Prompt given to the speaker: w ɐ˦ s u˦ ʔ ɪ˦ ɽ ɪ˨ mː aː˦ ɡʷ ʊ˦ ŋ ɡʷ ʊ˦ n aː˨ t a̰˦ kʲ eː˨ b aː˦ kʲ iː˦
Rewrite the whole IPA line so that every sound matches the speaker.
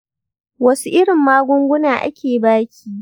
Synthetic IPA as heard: w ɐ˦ s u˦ ʔ ɪ˦ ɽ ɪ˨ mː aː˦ ɡʷ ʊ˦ ŋ ɡʷ ʊ˦ n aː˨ ʔ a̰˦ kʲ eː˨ b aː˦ kʲ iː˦